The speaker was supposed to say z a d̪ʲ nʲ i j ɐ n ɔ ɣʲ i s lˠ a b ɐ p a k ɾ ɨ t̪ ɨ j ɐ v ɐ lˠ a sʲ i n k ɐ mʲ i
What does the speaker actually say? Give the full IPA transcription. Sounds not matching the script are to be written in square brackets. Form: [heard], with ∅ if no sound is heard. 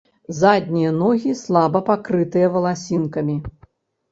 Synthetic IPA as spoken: z a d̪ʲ nʲ i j ɐ n ɔ ɣʲ i s lˠ a b ɐ p a k ɾ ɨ t̪ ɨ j ɐ v ɐ lˠ a sʲ i n k ɐ mʲ i